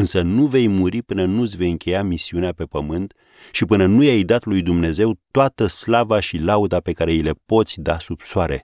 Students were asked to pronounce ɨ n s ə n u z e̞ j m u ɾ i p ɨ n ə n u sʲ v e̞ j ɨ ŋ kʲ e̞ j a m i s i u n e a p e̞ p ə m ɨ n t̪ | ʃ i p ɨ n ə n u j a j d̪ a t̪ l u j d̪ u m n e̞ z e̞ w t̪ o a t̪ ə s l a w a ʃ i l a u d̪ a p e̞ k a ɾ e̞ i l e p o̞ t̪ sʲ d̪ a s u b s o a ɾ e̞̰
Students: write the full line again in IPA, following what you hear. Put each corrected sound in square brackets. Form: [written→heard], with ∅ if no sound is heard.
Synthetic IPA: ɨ n s ə n u [z→v] e̞ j m u ɾ i p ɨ n ə n u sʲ v e̞ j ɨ ŋ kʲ e̞ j a m i s i u n e a p e̞ p ə m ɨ n t̪ | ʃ i p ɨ n ə n u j a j d̪ a t̪ l u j d̪ u m n e̞ z e̞ w t̪ o a t̪ ə s l a [w→v] a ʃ i l a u d̪ a p e̞ k a ɾ e̞ i l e p o̞ t̪ sʲ d̪ a s u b s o a ɾ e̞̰